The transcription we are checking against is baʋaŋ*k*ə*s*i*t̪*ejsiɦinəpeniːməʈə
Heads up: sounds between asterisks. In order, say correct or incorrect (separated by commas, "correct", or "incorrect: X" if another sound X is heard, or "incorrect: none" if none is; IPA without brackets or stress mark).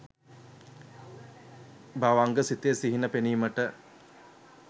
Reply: incorrect: ɡ, correct, correct